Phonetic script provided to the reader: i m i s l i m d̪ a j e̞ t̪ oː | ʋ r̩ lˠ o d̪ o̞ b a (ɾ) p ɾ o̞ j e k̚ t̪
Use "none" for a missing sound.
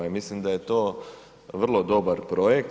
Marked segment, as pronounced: ɾ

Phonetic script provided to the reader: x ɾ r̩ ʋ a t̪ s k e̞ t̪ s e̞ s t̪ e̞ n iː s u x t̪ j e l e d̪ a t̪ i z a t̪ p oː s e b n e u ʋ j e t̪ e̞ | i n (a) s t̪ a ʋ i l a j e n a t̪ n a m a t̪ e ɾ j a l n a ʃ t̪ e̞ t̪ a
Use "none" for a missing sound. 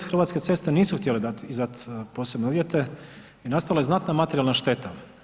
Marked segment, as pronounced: a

